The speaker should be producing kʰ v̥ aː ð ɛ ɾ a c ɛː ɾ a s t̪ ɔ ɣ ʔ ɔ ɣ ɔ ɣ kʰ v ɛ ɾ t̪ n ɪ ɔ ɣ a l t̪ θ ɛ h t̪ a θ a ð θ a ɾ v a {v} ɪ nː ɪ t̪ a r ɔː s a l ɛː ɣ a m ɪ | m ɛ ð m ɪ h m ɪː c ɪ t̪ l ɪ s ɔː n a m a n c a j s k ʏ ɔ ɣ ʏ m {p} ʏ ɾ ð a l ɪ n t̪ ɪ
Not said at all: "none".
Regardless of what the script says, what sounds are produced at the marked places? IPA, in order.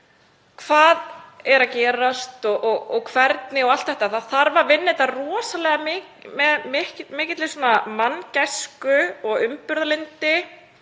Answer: v, p

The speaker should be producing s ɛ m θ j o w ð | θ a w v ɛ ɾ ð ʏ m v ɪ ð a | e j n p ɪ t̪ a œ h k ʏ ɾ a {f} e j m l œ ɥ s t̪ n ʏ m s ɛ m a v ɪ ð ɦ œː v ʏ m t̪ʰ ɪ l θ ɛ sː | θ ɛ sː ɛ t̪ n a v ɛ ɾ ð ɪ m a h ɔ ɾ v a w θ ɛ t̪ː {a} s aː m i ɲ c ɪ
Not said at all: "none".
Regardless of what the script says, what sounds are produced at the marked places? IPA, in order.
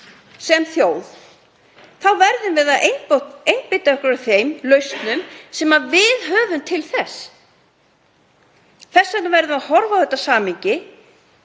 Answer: θ, a

